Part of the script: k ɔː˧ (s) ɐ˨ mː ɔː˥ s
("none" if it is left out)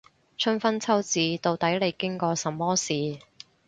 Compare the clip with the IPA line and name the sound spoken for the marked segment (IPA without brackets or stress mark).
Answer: s